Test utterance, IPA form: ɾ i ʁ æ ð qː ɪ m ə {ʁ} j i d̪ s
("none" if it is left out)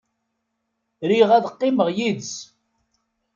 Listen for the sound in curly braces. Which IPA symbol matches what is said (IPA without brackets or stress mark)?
ʁ